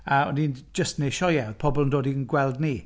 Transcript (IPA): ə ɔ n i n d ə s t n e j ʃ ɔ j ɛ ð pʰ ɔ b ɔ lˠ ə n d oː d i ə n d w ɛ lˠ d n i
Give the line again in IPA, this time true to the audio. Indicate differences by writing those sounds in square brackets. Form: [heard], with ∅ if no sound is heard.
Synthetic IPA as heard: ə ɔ n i n [d͡ʒ] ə s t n e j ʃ ɔ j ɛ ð pʰ ɔ b ɔ lˠ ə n d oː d i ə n [ɡ] w ɛ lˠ d n i